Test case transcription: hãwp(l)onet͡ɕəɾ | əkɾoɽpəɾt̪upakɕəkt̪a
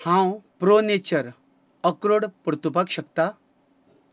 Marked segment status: incorrect: ɾ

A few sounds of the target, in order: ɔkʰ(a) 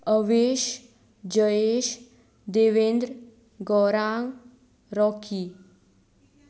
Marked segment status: incorrect: i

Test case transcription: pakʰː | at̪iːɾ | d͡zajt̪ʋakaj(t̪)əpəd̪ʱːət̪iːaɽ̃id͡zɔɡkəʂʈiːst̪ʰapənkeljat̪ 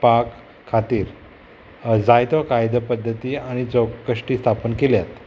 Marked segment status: incorrect: d̪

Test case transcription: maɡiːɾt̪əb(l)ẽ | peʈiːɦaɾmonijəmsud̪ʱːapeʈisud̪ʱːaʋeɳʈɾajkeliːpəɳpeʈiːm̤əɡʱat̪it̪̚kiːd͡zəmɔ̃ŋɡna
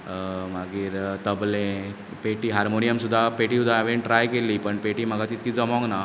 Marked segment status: correct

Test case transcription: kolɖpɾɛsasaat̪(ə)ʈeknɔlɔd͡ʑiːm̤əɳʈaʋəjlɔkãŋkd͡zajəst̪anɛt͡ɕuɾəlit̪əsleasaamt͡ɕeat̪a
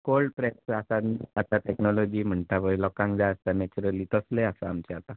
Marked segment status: incorrect: a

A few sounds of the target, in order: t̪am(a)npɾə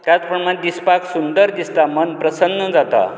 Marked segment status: incorrect: ə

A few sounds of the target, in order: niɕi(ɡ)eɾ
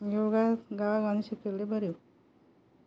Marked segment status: incorrect: k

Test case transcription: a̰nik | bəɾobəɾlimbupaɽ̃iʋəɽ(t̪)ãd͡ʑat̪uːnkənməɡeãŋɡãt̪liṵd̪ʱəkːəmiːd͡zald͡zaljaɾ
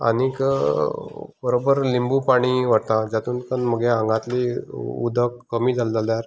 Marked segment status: correct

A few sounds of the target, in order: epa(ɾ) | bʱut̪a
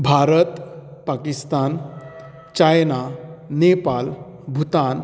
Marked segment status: incorrect: l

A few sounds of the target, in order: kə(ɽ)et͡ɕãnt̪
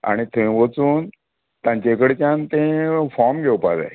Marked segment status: correct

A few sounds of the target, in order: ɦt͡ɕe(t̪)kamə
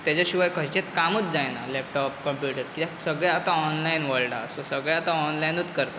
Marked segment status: correct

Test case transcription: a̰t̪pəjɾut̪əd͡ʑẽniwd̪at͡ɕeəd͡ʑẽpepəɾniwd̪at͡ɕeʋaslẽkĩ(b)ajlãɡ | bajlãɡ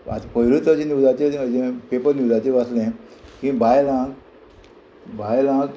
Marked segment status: correct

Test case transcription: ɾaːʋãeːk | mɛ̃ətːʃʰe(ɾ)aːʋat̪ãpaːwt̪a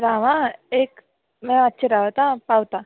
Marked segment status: correct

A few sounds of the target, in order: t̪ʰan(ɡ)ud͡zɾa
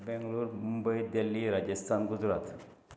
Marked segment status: correct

